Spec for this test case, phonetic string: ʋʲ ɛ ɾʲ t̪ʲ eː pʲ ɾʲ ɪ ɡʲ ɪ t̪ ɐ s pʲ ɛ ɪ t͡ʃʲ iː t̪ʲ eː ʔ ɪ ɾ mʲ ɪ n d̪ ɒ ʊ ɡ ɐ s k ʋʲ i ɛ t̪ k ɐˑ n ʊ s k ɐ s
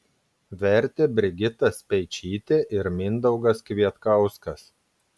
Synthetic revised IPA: ʋʲ ɛ ɾʲ t̪ʲ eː bʲ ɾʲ ɪ ɡʲ ɪ t̪ ɐ s pʲ ɛ ɪ t͡ʃʲ iː t̪ʲ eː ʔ ɪ ɾ mʲ ɪ n d̪ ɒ ʊ ɡ ɐ s k ʋʲ i ɛ t̪ k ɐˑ ʊ s k ɐ s